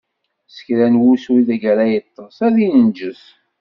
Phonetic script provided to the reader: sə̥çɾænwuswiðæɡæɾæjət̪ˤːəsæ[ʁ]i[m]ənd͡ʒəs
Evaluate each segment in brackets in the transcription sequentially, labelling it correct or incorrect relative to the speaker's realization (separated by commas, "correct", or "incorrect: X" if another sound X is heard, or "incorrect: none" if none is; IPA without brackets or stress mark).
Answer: incorrect: ð, incorrect: n